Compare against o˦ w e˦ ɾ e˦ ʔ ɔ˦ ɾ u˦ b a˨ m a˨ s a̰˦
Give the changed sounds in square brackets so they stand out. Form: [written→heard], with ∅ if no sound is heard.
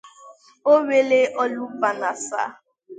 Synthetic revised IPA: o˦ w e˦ [ɾ→l] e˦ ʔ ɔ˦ [ɾ→l] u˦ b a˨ [m→n] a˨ s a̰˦